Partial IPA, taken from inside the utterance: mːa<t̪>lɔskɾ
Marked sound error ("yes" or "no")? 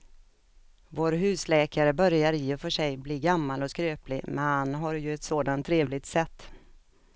yes